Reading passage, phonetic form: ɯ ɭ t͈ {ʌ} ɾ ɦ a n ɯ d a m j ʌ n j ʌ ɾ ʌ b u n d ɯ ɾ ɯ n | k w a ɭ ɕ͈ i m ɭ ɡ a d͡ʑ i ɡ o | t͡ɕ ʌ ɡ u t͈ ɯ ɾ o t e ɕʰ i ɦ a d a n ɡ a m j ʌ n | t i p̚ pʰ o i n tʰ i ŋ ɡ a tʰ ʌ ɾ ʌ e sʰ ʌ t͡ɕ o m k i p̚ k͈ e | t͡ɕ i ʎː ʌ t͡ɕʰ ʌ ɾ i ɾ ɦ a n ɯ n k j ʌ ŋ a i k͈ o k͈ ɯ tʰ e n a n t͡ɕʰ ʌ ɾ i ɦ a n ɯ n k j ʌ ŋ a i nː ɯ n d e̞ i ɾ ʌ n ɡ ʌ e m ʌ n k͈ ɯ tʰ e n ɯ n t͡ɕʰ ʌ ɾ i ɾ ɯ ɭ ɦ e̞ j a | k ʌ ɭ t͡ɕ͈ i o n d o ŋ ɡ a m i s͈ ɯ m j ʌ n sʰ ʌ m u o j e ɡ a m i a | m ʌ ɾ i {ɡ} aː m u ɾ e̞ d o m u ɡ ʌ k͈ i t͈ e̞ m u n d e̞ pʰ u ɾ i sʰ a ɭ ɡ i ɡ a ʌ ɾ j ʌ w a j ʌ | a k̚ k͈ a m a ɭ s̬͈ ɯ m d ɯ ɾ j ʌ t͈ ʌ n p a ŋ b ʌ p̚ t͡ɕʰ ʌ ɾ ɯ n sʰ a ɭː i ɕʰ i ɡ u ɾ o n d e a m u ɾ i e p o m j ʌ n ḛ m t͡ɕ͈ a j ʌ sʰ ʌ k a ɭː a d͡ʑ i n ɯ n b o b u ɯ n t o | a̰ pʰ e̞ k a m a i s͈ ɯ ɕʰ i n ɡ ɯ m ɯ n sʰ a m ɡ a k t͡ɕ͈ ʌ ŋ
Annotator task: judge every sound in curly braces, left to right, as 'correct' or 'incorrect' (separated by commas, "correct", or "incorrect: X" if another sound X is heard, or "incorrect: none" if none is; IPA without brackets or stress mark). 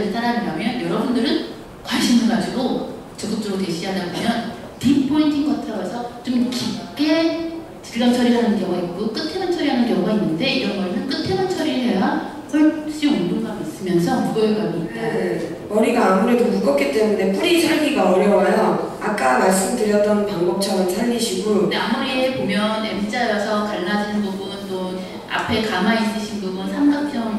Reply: incorrect: a, correct